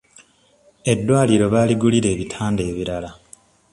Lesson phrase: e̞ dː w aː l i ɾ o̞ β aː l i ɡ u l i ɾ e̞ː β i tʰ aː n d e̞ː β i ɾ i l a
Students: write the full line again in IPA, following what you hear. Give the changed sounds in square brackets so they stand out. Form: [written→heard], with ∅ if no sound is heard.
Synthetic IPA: e̞ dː w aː l i ɾ o̞ β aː l i ɡ u l i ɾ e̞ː β i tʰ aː n d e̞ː β i ɾ [i→a] l a